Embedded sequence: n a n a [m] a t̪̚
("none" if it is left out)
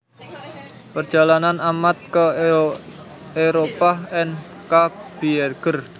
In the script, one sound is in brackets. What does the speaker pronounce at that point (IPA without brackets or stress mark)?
m